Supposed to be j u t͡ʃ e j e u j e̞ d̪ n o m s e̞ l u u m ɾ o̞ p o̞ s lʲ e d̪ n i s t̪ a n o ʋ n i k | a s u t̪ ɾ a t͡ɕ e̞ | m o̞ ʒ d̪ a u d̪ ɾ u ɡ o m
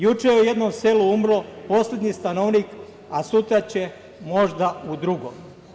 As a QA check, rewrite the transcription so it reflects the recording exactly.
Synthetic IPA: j u t͡ʃ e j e u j e̞ d̪ n o m s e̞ l u u m ɾ o̞ p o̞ s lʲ e d̪ ɲ i s t̪ a n o ʋ n i k | a s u t̪ ɾ a t͡ɕ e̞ | m o̞ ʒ d̪ a u d̪ ɾ u ɡ o m